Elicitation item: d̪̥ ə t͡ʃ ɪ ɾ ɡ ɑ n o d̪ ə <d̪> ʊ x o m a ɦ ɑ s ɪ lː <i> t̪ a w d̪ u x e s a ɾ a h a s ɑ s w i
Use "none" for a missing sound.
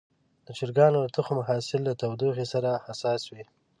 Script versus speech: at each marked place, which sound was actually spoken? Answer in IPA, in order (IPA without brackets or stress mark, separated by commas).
t̪, a